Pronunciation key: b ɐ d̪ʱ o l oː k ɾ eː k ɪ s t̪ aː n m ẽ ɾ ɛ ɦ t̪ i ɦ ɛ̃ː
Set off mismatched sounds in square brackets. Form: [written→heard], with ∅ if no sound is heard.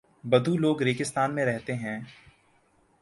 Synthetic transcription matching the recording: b ɐ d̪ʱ [o→u] l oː [k→ɡ] ɾ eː k ɪ s t̪ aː n m ẽ ɾ ɛ ɦ t̪ [i→e] ɦ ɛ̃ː